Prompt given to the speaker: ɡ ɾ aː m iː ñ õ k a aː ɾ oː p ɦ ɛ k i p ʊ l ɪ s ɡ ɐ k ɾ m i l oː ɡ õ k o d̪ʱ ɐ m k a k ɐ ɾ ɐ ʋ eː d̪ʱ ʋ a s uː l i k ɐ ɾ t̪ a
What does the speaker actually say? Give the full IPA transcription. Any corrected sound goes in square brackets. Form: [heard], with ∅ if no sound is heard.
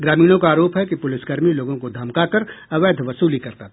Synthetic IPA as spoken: ɡ ɾ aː m iː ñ õ k a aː ɾ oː p ɦ ɛ k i p ʊ l ɪ s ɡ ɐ [∅] ɾ m i l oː ɡ õ k o d̪ʱ ɐ m k a k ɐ ɾ ɐ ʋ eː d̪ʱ ʋ [ɐ] s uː l i k ɐ ɾ t̪ a